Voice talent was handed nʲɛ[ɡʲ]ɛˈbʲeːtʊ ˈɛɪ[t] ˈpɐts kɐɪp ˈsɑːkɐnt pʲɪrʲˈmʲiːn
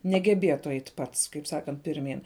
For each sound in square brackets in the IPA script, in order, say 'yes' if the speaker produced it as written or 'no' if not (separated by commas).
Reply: yes, yes